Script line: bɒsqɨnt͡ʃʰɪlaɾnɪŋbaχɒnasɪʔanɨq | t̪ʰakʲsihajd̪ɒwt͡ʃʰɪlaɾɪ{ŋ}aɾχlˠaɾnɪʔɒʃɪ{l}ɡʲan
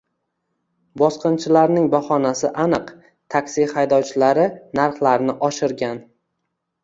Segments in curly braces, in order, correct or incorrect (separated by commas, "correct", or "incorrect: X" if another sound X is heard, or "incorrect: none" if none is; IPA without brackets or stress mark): incorrect: n, incorrect: ɾ